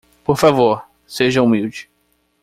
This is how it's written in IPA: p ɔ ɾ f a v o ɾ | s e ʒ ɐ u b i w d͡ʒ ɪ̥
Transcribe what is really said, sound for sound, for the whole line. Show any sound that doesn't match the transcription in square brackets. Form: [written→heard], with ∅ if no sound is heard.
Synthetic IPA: p [ɔ→o] ɾ f a v o ɾ | s e ʒ ɐ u [b→m] i w d͡ʒ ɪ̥